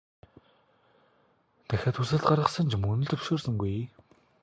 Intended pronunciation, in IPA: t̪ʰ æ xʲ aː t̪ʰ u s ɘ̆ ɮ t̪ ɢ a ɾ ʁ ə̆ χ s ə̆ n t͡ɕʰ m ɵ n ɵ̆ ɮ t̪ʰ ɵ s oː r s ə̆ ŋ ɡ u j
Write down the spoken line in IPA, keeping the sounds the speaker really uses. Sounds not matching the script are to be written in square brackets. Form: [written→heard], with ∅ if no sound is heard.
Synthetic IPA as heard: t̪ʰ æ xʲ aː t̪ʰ u s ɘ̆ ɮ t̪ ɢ a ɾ ʁ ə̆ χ s ə̆ n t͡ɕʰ m ɵ n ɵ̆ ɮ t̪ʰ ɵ [s→ʃ] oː r s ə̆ ŋ ɡ u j